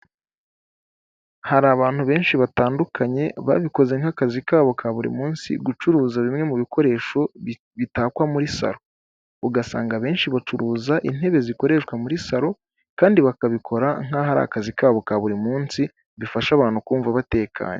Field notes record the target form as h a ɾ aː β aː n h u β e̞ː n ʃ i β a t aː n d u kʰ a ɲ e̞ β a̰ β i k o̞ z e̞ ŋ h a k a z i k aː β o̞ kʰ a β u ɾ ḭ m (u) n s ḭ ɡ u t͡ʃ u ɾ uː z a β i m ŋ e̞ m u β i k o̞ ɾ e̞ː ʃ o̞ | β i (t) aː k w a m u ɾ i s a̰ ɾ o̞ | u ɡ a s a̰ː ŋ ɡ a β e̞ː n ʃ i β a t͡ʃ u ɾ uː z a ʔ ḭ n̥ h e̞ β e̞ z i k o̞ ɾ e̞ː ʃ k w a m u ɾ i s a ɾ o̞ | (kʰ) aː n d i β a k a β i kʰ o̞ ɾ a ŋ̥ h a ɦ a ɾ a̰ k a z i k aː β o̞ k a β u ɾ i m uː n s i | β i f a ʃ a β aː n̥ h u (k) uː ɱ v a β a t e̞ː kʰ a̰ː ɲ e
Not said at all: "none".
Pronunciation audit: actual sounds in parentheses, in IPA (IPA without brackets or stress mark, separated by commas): uː, t, k, k